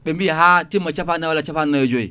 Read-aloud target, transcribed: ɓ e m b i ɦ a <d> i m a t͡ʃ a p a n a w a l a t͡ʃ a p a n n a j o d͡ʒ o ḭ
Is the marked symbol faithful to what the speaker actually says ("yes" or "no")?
no